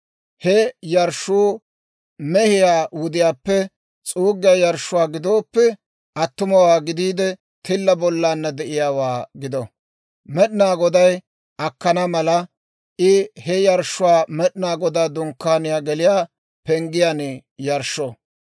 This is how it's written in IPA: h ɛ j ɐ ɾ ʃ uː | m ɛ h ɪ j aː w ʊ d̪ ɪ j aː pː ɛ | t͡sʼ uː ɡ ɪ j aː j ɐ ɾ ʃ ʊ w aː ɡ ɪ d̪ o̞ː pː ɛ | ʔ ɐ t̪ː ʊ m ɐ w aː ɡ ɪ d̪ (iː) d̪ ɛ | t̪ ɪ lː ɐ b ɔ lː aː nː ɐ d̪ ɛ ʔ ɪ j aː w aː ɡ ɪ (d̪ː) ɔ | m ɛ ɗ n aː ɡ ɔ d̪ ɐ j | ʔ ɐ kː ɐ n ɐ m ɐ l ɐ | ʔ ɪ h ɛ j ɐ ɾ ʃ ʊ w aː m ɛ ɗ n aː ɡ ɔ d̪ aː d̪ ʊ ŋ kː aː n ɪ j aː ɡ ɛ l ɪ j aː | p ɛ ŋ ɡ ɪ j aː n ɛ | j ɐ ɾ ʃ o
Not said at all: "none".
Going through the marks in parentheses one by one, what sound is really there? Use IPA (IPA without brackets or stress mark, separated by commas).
iː, d̪